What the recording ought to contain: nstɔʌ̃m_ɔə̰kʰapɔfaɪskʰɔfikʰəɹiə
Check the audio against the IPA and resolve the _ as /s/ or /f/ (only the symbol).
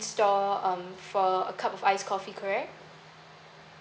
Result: f